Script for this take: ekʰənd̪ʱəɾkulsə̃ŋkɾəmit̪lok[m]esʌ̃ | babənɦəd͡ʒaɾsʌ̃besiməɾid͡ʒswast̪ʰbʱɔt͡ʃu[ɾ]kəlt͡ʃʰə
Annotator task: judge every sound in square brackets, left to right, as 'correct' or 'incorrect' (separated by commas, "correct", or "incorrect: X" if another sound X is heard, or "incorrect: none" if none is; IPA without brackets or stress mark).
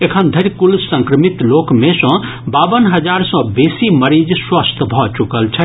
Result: correct, incorrect: none